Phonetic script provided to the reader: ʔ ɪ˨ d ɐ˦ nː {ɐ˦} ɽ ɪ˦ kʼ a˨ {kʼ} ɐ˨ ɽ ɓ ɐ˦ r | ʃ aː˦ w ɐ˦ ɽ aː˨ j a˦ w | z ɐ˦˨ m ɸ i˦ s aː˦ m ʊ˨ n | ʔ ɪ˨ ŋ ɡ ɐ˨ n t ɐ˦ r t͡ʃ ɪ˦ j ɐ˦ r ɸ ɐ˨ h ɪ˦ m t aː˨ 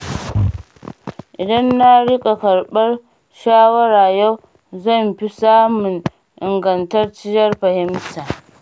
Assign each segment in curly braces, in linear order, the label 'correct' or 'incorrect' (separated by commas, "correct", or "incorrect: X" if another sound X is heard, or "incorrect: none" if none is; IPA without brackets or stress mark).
incorrect: a˦, incorrect: k